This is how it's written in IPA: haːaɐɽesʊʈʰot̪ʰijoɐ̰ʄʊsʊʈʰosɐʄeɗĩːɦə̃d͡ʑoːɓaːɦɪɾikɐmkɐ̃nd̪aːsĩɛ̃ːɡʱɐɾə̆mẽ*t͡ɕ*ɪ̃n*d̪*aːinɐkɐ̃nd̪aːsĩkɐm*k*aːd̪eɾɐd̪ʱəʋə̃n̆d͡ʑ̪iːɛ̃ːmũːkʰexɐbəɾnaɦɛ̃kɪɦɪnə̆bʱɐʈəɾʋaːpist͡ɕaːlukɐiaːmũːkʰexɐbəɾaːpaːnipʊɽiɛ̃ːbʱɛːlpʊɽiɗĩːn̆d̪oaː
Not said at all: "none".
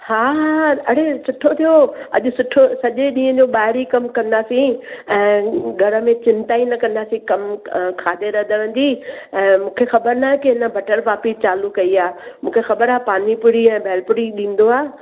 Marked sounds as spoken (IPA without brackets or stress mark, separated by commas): t͡ɕ, t̪, kʰ